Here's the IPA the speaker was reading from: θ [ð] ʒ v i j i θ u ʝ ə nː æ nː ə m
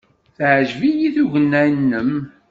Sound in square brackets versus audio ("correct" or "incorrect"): incorrect